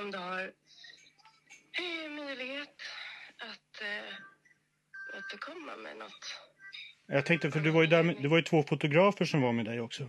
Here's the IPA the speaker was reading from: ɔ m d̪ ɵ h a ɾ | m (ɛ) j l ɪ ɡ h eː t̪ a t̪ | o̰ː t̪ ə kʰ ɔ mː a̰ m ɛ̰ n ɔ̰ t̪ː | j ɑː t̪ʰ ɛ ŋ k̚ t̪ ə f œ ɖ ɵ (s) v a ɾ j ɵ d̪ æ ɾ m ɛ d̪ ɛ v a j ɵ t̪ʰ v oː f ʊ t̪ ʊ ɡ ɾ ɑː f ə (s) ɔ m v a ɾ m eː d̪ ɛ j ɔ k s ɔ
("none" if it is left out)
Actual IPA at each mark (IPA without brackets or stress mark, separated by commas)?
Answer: œ, none, ʂ